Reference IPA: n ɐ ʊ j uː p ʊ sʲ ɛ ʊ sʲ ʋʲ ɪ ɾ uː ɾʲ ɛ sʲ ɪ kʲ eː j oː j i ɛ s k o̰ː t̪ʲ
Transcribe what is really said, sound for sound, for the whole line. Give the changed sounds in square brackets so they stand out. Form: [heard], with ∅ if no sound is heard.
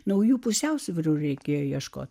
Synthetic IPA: n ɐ ʊ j uː p ʊ sʲ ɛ ʊ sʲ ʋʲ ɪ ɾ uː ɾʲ ɛ [∅] ɪ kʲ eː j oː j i ɛ [ʃ] k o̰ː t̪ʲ